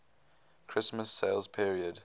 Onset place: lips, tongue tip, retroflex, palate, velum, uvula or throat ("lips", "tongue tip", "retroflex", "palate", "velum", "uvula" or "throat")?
velum